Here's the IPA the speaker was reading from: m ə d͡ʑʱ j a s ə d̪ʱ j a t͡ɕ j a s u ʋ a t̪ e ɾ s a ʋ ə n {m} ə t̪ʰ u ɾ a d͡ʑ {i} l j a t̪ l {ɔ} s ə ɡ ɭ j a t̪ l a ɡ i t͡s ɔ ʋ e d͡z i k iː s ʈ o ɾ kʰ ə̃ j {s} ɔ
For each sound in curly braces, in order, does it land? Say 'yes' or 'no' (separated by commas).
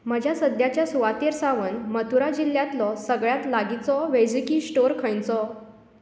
yes, yes, yes, no